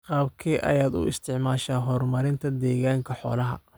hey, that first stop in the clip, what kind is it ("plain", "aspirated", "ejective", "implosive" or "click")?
plain